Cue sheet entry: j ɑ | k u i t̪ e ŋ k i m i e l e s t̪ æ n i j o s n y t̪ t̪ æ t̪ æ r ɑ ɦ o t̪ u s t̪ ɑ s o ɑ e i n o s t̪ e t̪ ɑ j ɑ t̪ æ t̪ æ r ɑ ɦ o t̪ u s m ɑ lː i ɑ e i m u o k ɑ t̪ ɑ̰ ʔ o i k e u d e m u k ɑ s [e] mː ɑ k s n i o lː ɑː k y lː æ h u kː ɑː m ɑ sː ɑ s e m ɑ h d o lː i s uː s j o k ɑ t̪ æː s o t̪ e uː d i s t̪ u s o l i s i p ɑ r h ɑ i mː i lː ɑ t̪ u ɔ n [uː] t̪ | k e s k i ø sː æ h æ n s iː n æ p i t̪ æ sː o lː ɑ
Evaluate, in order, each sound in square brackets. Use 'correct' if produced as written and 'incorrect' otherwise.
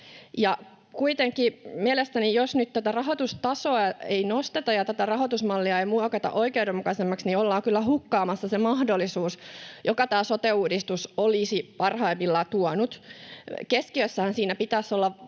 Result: correct, incorrect: u

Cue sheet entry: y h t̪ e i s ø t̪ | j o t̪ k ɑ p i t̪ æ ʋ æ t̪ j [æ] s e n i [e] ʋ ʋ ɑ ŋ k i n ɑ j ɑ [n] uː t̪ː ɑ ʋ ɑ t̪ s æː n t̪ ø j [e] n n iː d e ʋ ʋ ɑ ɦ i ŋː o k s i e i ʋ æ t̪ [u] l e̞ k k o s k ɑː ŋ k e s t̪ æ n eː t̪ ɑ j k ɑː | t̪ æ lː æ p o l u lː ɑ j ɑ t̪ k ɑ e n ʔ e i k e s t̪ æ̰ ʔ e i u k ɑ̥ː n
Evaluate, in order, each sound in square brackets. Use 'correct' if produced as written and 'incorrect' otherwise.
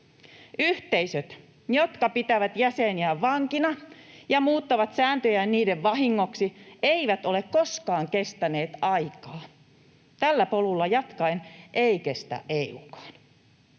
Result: correct, incorrect: æ, incorrect: m, incorrect: æ, incorrect: o

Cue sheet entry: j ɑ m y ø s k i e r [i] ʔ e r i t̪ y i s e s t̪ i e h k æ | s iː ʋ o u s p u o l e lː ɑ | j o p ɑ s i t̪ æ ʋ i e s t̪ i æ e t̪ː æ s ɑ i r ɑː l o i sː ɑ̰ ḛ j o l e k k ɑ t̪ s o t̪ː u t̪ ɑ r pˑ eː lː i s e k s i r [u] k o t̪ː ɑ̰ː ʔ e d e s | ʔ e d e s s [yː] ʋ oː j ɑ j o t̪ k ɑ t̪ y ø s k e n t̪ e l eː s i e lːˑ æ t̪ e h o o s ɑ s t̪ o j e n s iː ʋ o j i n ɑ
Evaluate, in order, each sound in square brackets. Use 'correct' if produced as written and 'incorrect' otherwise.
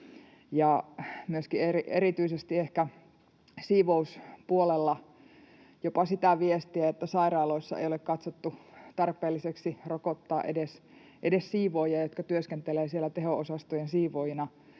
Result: correct, incorrect: o, incorrect: iː

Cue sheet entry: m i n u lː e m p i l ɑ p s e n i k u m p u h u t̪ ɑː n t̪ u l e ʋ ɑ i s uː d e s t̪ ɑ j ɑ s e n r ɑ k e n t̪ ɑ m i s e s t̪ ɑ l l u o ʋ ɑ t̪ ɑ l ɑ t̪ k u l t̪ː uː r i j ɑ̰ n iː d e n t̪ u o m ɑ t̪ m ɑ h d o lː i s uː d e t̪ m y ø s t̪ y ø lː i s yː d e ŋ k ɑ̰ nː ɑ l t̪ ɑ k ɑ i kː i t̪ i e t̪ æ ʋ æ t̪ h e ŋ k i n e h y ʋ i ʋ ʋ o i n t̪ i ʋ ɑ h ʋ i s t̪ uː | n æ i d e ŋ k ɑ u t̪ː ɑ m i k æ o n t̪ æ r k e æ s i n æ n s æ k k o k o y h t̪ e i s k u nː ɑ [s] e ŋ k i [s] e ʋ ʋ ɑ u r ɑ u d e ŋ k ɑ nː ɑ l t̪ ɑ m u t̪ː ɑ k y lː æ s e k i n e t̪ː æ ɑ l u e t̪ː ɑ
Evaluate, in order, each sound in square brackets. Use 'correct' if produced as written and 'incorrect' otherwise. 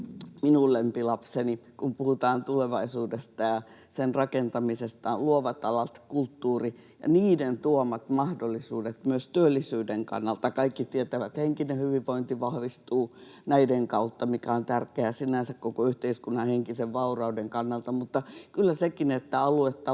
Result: incorrect: h, correct

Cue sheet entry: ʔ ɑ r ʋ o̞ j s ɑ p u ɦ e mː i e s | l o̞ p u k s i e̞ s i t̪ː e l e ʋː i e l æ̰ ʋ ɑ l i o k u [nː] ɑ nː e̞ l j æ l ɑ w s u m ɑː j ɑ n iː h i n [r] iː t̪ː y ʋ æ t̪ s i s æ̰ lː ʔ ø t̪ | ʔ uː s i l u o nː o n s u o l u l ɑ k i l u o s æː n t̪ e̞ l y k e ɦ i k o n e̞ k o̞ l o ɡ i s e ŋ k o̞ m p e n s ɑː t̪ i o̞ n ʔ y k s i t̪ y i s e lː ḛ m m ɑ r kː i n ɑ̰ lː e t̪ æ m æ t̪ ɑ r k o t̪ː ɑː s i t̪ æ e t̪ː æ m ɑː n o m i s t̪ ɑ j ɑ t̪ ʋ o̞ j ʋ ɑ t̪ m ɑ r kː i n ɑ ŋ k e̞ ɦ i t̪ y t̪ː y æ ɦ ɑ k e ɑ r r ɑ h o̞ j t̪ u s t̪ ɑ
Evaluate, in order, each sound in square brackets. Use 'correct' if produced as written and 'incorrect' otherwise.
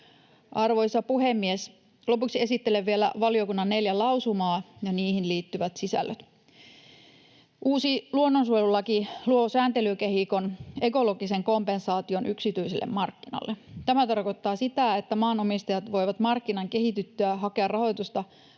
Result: correct, incorrect: l

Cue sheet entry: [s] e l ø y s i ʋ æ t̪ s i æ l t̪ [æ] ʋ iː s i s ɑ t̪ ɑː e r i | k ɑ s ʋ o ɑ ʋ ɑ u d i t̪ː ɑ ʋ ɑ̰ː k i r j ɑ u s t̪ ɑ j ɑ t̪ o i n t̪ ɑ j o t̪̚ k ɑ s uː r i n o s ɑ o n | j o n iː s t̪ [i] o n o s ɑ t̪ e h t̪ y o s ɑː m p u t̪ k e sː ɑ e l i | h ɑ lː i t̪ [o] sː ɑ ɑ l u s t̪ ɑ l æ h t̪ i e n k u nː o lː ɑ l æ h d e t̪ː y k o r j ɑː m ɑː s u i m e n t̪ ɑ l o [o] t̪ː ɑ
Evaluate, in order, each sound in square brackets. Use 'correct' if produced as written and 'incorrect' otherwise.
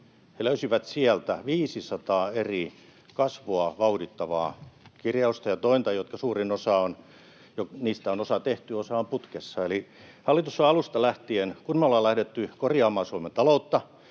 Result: incorrect: h, correct, incorrect: æ, incorrect: u, incorrect: u

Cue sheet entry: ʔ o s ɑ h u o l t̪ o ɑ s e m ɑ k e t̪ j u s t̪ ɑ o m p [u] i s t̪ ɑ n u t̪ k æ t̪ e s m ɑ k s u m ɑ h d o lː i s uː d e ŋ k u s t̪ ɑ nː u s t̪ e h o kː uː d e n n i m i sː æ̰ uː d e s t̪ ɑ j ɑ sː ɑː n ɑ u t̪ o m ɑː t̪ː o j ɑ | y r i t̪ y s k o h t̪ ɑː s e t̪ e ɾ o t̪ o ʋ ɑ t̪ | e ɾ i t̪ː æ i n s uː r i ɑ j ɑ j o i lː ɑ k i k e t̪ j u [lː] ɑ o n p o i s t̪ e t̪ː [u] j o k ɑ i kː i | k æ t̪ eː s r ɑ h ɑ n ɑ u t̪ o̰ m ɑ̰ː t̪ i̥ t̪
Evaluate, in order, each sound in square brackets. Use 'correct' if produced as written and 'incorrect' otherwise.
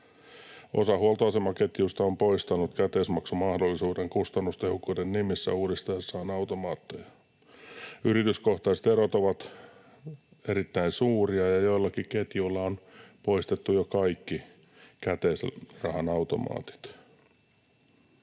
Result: incorrect: o, correct, correct

